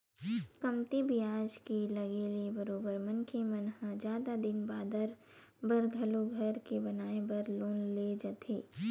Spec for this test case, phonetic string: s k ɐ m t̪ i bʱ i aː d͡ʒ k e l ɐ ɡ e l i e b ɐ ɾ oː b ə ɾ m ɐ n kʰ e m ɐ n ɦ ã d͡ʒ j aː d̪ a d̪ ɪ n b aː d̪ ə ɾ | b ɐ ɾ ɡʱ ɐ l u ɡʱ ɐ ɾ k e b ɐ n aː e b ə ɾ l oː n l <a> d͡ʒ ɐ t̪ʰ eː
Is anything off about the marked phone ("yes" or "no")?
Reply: yes